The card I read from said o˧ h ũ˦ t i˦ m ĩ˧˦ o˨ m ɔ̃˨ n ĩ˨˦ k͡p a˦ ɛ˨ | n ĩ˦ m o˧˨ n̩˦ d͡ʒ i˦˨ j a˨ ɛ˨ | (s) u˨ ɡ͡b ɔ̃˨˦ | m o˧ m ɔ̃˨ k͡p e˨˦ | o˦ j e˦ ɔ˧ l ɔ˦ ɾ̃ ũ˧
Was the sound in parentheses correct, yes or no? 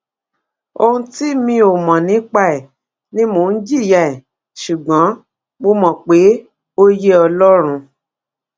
no